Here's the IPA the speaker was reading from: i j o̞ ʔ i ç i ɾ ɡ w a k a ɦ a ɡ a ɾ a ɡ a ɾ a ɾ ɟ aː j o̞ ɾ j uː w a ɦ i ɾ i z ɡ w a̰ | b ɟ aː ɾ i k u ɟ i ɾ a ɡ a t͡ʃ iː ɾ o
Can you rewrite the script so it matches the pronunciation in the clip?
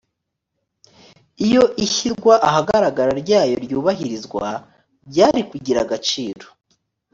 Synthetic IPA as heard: i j o̞ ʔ i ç i ɾ ɡ w a ʔ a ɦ a ɡ a ɾ a ɡ a ɾ a ɾ ɟ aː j o̞ ɾ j uː β a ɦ i ɾ i z ɡ w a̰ | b ɟ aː ɾ i k u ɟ i ɾ a ɡ a t͡ʃ iː ɾ o